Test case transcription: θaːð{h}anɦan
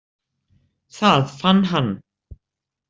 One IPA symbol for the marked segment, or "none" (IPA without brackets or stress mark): f